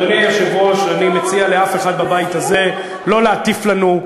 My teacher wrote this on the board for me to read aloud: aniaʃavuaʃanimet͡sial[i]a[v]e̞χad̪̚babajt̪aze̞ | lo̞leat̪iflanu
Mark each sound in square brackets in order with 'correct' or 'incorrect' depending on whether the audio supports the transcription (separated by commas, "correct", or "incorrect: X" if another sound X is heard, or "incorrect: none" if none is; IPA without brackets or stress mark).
incorrect: e, incorrect: f